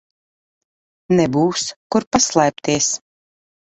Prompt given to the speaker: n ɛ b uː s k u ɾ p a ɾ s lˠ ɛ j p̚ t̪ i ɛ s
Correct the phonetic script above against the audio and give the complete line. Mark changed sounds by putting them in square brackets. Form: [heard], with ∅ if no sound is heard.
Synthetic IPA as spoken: n ɛ b uː s k u ɾ p a [∅] s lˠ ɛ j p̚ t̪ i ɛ s